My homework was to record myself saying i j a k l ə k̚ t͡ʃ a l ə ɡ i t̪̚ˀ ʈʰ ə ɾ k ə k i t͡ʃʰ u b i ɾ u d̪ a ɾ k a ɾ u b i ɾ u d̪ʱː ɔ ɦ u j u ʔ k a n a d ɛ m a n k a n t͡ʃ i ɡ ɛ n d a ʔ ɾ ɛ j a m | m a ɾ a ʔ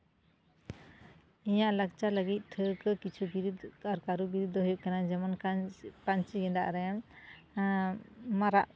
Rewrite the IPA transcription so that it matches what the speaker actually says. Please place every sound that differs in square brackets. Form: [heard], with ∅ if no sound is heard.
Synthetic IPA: i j a [ʔ] l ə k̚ t͡ʃ a l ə ɡ i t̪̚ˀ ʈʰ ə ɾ k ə k i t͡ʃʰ u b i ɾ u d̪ a ɾ k a ɾ u b i ɾ u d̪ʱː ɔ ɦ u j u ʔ k a n a [d͡ʒ] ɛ m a n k a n t͡ʃ i ɡ ɛ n d a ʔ ɾ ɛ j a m | m a ɾ a ʔ